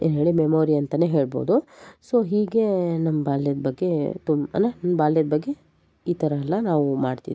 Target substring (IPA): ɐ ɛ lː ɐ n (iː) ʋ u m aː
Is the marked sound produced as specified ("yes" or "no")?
no